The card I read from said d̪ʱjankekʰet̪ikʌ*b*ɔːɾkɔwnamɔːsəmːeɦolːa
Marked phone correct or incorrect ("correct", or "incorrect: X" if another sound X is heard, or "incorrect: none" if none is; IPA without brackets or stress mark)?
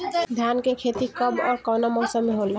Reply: correct